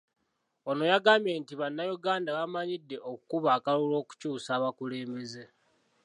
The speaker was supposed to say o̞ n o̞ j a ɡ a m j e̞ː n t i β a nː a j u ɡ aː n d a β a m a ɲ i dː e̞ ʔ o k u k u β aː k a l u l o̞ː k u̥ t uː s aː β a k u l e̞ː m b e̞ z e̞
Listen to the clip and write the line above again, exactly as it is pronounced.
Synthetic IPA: o̞ n o̞ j a ɡ a m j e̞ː n t i β a nː a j u ɡ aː n d a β a m a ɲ i dː e̞ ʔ o k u k u β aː k a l u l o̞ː k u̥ c uː s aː β a k u l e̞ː m b e̞ z e̞

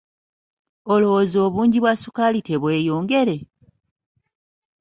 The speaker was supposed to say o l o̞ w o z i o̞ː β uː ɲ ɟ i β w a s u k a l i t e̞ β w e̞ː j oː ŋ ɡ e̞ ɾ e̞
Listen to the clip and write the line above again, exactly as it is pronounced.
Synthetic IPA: o l o̞ w o z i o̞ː β uː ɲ ɟ i β w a s u k a l i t e̞ β w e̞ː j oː ŋ ɡ e̞ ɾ e̞

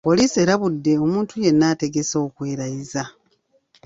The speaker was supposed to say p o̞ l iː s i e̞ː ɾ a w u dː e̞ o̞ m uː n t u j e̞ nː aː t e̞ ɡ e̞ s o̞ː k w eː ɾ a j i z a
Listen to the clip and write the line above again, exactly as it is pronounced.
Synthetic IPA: p o̞ l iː s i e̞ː ɾ a β u dː e̞ o̞ m uː n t u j e̞ nː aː t e̞ ɡ e̞ s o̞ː k w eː ɾ a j i z a

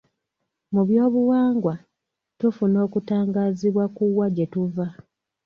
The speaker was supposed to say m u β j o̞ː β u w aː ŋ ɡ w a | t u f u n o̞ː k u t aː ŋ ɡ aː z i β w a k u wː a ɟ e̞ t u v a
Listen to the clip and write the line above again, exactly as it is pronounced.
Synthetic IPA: m u β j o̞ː β u w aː ŋ ɡ w a | t u f u n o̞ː k u t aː ŋ ɡ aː z i β w a k u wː a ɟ e̞ t u v a

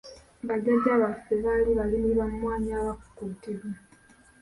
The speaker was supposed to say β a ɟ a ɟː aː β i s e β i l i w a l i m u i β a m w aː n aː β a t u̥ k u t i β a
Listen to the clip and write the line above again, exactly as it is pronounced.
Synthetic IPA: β a ɟ a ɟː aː β a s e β a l i β a l i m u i β a m w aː ɲ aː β a k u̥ k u t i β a

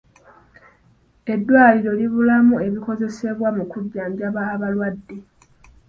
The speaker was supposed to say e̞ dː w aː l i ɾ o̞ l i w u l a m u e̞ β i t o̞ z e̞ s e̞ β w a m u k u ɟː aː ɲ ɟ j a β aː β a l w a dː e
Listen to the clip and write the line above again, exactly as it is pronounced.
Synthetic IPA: e̞ dː w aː l i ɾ o̞ l i β u l a m u e̞ β i k o̞ z e̞ s e̞ β w a m u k u ɟː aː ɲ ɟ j a β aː β a l w a dː e

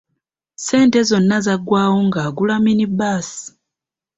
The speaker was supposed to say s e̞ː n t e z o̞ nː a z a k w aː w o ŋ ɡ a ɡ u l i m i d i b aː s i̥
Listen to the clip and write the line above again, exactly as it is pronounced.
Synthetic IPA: s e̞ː n t e z o̞ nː a z a ɡ w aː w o ŋ ɡ a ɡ u l a m i n i b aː s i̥

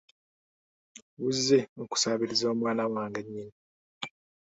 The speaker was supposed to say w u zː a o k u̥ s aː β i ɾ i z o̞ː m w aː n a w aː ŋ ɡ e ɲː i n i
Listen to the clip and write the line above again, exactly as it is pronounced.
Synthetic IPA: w u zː e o k u̥ s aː β i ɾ i z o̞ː m w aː n a w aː ŋ ɡ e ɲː i n i

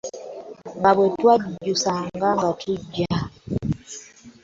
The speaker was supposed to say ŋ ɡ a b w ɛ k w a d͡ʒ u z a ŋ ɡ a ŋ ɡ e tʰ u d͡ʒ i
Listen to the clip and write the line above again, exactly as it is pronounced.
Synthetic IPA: ŋ ɡ a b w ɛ t w a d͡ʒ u s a ŋ ɡ a ŋ ɡ a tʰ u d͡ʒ a

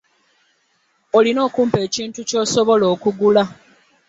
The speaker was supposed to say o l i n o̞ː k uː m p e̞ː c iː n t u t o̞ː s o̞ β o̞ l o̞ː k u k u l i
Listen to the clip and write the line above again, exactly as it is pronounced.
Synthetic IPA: o l i n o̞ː k uː m p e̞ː c iː n t u c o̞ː s o̞ β o̞ l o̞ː k u ɡ u l a

